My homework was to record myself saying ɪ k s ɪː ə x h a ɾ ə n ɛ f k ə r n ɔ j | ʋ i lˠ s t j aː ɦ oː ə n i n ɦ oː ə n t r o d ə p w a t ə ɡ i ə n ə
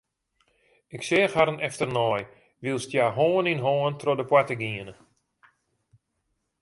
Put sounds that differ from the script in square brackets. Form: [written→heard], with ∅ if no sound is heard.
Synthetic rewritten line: ɪ k s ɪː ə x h a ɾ ə n ɛ f [k→t] ə r n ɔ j | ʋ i lˠ s t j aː ɦ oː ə n i n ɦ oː ə n t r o d ə p w a t ə ɡ i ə n ə